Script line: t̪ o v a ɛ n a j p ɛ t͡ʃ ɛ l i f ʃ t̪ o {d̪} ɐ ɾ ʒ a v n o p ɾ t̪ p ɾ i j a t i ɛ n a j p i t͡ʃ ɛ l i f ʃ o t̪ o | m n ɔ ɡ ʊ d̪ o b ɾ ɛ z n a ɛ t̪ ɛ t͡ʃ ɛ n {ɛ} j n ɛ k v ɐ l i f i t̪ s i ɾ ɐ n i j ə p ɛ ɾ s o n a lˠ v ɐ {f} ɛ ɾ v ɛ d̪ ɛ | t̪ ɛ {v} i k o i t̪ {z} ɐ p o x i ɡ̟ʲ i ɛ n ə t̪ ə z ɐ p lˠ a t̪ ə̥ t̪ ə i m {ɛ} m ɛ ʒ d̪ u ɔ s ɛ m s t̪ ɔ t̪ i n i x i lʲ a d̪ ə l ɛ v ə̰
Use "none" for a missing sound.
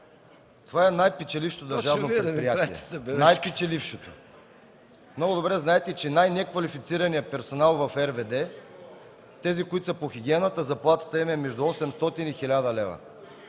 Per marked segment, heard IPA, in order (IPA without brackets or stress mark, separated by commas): d̪, a, f, z, s, ɛ